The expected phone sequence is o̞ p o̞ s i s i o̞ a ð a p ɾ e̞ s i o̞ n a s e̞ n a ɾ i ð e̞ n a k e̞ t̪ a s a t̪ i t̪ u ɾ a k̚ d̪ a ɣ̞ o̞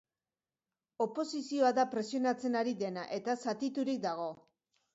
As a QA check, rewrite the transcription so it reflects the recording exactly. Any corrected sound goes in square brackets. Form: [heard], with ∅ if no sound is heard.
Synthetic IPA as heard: o̞ p o̞ s i s i o̞ a ð a p ɾ e̞ s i o̞ n a [t͡s] e̞ n a ɾ i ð e̞ n a [ʔ] e̞ t̪ a s a t̪ i t̪ u ɾ [i] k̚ d̪ a ɣ̞ o̞